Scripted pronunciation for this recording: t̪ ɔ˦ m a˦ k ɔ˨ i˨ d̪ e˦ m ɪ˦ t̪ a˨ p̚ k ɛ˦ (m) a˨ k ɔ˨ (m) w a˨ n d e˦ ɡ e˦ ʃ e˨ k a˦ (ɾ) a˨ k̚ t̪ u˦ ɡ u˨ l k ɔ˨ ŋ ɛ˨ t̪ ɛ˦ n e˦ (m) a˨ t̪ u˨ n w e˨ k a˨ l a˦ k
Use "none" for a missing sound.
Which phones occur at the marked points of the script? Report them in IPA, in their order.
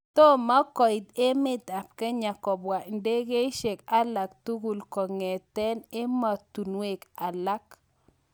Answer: ɲ, b, l, m

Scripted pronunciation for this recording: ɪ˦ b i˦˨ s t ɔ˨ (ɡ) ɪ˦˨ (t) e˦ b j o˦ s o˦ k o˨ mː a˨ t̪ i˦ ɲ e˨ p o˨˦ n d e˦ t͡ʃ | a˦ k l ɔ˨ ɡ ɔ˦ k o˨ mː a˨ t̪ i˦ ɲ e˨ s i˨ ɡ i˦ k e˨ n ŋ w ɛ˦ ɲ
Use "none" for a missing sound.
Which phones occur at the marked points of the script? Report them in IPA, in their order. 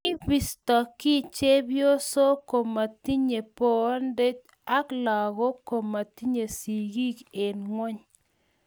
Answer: k, t͡ʃ

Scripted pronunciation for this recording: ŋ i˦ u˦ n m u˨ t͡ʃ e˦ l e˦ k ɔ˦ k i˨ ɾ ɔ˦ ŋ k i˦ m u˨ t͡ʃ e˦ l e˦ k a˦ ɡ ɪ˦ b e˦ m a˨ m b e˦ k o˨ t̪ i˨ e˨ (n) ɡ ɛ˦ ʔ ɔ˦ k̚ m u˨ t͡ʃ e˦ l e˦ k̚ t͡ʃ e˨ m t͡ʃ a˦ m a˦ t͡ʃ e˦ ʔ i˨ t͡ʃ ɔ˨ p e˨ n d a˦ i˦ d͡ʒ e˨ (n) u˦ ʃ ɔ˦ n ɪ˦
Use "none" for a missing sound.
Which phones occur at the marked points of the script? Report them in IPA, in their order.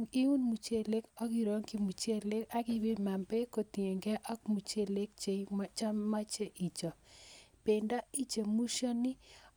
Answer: ŋ, m

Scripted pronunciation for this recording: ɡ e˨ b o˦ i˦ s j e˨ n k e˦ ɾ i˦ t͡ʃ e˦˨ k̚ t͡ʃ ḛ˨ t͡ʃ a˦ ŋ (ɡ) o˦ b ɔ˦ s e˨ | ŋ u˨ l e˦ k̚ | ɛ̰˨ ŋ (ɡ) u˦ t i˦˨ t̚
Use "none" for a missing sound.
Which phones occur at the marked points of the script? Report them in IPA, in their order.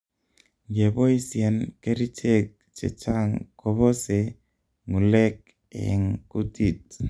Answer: k, k

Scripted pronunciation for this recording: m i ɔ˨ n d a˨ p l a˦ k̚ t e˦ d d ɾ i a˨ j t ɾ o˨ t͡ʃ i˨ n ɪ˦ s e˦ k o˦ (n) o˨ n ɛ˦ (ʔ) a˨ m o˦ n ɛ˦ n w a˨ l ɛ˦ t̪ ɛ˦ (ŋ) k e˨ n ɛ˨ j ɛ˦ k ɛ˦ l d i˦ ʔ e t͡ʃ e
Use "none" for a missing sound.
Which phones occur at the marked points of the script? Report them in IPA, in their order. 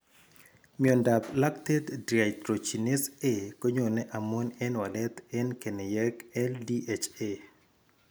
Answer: ɲ, ʔ, n

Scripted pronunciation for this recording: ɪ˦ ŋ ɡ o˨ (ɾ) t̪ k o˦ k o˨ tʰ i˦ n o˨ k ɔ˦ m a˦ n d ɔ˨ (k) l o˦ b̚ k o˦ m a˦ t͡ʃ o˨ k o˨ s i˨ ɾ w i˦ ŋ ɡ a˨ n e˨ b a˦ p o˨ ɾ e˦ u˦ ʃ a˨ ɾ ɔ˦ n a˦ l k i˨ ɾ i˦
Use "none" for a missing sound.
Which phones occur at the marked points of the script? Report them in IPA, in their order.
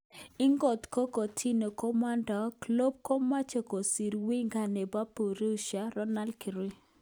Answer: none, k

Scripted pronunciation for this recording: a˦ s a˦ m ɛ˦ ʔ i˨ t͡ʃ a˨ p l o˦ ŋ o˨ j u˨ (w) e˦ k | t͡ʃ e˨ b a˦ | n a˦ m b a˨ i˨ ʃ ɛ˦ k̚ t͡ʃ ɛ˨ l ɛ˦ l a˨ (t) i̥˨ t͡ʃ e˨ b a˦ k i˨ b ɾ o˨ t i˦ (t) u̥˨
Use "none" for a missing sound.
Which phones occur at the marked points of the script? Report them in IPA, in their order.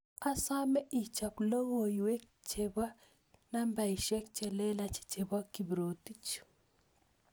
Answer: w, t͡ʃ, t͡ʃ

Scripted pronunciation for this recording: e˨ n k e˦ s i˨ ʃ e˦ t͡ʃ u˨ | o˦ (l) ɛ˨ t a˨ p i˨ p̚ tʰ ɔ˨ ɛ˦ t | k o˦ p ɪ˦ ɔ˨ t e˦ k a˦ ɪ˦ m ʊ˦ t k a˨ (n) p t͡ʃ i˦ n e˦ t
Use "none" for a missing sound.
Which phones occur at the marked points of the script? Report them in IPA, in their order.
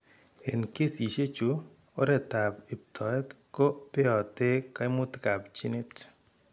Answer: ɾ, none

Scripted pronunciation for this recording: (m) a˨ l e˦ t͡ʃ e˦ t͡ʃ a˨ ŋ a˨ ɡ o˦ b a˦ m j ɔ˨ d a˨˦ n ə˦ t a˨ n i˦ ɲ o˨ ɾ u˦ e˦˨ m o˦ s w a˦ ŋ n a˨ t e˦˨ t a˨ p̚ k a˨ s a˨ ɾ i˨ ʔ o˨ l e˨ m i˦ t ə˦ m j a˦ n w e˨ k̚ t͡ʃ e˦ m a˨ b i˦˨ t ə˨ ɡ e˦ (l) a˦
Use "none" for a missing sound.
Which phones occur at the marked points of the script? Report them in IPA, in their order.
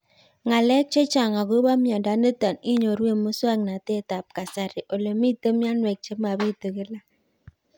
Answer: ŋ, l

